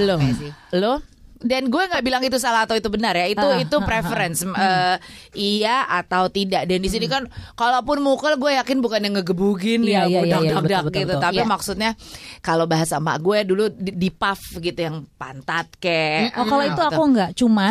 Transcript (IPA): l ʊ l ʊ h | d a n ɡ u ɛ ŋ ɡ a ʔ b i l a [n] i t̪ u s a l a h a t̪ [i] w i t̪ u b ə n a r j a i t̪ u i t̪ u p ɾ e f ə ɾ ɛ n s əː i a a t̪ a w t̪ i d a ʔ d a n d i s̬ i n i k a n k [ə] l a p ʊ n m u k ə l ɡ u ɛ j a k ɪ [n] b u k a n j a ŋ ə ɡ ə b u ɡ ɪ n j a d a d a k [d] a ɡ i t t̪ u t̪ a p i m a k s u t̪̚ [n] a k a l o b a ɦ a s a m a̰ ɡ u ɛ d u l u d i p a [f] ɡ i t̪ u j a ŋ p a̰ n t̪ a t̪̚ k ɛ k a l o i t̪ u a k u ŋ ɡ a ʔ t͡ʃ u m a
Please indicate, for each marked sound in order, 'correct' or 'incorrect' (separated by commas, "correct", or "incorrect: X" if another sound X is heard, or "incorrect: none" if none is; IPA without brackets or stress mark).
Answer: incorrect: ŋ, incorrect: a, incorrect: a, correct, correct, incorrect: ɲ, correct